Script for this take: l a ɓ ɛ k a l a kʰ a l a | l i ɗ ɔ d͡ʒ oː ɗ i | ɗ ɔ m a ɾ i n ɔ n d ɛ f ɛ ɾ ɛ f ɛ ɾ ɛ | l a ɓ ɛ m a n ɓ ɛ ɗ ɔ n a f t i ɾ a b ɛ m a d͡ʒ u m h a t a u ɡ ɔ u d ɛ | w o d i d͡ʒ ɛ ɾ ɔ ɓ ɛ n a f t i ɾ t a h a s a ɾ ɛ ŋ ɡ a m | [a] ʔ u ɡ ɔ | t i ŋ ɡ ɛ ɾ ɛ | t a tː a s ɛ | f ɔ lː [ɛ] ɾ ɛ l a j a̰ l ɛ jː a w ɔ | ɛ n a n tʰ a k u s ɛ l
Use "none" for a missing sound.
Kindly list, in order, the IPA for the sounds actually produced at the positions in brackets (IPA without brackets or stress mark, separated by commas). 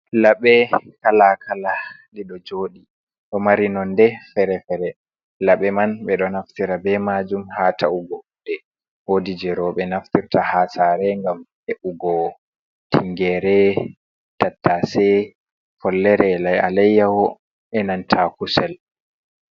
ɛ, ɛ